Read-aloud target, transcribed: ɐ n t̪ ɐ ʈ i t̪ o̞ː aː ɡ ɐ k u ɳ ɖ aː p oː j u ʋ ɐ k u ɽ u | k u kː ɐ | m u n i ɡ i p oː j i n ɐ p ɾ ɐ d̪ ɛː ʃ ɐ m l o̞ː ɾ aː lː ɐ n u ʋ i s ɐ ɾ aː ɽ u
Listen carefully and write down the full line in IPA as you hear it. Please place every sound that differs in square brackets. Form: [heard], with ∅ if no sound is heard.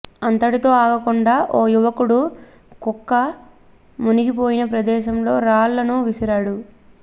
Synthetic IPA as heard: ɐ n t̪ ɐ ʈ i t̪ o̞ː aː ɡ ɐ k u ɳ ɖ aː [ʔ] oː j u ʋ ɐ k u ɽ u | k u kː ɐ | m u n i ɡ i p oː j i n ɐ p ɾ ɐ d̪ ɛː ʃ ɐ m l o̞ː ɾ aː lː ɐ n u ʋ i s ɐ ɾ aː ɽ u